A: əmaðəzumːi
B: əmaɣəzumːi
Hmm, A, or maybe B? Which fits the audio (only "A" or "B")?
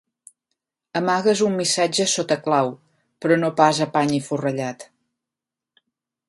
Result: B